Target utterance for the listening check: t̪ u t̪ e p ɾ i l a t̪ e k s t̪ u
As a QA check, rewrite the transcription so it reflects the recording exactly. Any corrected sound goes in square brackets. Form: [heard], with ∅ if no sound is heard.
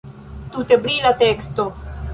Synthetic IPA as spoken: t̪ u t̪ e [b] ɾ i l a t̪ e k s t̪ [o]

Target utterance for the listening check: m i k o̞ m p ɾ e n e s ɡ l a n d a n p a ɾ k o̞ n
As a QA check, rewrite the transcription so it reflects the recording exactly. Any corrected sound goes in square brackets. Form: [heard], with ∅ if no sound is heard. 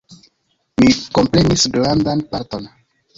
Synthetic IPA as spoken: m i k o̞ m p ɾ e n [i] s ɡ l a n d a n p a ɾ [t] o̞ n

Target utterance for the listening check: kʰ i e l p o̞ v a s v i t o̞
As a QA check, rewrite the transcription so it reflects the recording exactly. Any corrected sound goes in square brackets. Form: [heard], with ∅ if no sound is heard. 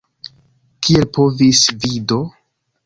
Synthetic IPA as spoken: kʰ i e l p o̞ v [i] s v i [d] o̞

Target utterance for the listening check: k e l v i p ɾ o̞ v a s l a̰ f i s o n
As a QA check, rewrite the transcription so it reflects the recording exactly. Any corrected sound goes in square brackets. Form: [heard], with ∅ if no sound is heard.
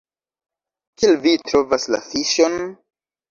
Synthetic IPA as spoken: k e l v i [t] ɾ o̞ v a s l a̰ f i [ʃ] o n

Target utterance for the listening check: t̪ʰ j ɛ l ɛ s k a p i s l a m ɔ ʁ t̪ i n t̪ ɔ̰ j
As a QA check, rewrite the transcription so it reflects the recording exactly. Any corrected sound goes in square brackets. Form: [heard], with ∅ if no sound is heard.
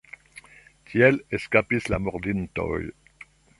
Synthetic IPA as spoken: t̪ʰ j ɛ l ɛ s k a p i s l a m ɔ ʁ [d̪] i n t̪ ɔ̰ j

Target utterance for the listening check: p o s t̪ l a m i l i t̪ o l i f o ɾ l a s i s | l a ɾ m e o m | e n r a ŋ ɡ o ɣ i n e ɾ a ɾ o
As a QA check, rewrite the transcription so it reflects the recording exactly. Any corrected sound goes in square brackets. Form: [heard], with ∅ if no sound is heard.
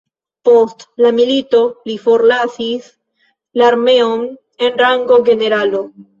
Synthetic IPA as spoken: p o s t̪ l a m i l i t̪ o l i f o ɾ l a s i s | l a ɾ m e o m | e n r a ŋ ɡ o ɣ [e] n e ɾ a [l] o

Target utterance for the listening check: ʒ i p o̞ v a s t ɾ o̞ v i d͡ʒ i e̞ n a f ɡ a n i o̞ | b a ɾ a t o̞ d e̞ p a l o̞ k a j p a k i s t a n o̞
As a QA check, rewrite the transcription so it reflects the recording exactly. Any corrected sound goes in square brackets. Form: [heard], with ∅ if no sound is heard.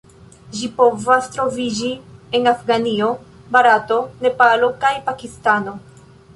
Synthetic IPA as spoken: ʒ i p o̞ v a s t ɾ o̞ v i d͡ʒ i e̞ n a f ɡ a n i o̞ | b a ɾ a t o̞ [n] e̞ p a l o̞ k a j p a k i s t a n o̞

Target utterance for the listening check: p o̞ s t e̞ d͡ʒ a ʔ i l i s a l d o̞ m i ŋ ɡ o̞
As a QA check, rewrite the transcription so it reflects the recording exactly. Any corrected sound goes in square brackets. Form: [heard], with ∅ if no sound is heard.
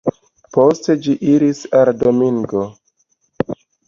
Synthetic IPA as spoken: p o̞ s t e̞ d͡ʒ [i] ʔ i [ɾ] i s a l d o̞ m i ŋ ɡ o̞

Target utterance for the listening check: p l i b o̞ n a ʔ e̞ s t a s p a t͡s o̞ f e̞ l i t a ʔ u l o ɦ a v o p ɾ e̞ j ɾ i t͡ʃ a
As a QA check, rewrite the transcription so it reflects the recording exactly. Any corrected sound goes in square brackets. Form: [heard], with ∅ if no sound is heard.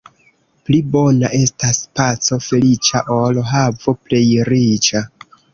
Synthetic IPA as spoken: p l i b o̞ n a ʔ e̞ s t a s p a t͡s o̞ f e̞ l i [t͡ʃ] a ʔ [o] l o ɦ a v o p [l] e̞ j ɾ i t͡ʃ a

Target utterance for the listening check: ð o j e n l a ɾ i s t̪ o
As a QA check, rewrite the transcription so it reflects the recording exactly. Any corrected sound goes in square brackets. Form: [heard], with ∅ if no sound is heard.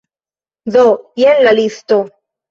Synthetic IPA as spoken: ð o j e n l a [l] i s t̪ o

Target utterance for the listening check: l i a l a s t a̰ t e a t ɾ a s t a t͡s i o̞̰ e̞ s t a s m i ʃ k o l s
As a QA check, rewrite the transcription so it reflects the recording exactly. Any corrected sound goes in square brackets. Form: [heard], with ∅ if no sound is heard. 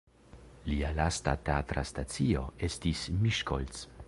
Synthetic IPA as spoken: l i a l a s t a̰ t e a t ɾ a s t a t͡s i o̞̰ e̞ s t [i] s m i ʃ k o l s

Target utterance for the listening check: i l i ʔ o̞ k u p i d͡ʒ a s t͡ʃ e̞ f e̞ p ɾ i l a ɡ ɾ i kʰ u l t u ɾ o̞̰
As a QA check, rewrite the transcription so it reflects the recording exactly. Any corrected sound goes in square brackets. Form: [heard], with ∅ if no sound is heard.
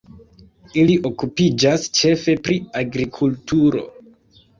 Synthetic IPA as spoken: i l i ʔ o̞ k u p i d͡ʒ a s t͡ʃ e̞ f e̞ p ɾ i [∅] a ɡ ɾ i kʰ u l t u ɾ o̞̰

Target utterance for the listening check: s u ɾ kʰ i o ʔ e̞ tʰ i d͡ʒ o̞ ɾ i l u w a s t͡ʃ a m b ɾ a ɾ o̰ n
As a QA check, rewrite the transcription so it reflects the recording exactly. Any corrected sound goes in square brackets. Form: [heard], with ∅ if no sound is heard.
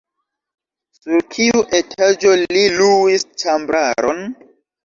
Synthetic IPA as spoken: s u ɾ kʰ i [u] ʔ e̞ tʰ [a] d͡ʒ o̞ [l] i l u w [i] s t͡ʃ a m b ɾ a ɾ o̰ n

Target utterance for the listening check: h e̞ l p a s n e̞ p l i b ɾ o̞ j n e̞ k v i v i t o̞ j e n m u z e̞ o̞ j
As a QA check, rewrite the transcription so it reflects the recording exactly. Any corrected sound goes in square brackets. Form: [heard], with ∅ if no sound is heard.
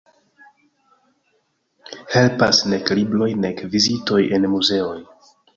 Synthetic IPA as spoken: h e̞ l p a s n e̞ [k] l i b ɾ o̞ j n e̞ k v i [z] i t o̞ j e n m u z e̞ o̞ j

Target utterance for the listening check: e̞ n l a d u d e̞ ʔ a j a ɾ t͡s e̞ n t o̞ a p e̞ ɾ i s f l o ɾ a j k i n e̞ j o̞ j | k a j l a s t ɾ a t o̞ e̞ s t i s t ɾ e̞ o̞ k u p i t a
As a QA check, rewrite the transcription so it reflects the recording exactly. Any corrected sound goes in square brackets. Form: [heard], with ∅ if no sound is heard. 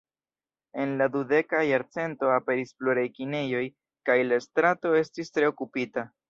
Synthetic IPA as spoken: e̞ n l a d u d e̞ [k] a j a ɾ t͡s e̞ n t o̞ a p e̞ ɾ i s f l o ɾ a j k i n e̞ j o̞ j | k a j l a s t ɾ a t o̞ e̞ s t i s t ɾ e̞ o̞ k u p i t a

